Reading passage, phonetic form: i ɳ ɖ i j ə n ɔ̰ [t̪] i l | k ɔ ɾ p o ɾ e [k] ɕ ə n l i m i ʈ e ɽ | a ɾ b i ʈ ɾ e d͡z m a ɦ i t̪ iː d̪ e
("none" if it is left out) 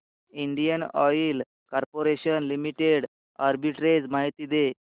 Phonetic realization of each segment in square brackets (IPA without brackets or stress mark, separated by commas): none, none